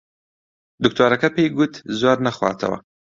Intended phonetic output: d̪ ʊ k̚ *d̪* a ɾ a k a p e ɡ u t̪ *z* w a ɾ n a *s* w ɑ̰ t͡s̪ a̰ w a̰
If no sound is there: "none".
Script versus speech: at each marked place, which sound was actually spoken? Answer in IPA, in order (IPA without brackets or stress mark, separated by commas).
t̪, z, x